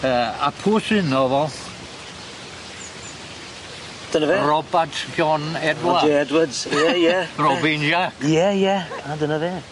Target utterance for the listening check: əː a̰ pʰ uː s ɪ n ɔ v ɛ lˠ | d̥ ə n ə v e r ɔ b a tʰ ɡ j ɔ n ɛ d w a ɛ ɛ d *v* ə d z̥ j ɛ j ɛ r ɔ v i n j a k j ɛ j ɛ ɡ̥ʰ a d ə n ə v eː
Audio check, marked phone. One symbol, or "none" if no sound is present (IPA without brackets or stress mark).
w